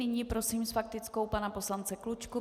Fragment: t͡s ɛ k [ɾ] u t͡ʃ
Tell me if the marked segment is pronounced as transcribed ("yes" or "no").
no